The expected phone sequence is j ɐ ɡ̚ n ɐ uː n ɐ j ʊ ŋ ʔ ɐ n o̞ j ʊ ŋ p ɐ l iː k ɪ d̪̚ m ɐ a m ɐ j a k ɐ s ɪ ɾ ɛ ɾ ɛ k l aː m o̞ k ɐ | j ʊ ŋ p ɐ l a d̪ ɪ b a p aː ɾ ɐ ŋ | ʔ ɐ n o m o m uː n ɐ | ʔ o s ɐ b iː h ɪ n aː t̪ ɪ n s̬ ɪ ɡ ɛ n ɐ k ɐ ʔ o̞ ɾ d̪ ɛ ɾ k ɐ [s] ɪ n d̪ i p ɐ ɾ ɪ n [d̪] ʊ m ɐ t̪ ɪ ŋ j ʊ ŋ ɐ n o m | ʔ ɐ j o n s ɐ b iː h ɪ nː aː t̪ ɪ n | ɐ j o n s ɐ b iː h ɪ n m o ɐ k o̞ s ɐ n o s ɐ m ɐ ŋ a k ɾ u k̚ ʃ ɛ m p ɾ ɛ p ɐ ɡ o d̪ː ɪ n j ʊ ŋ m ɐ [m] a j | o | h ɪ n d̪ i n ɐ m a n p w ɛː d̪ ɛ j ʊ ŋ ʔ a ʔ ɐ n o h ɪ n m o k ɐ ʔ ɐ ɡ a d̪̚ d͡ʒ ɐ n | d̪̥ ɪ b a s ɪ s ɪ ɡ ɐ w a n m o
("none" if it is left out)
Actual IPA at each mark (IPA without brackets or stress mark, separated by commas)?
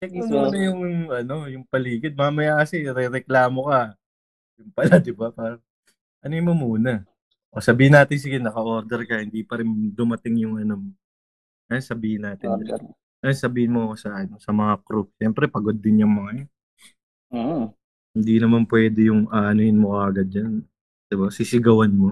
h, d̪, ŋ